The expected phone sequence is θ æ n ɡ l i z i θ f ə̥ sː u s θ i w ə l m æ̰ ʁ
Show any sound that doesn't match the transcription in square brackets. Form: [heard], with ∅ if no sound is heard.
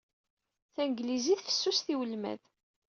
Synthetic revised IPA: θ æ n ɡ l i z i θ f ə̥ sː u s θ i w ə l m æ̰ [ð]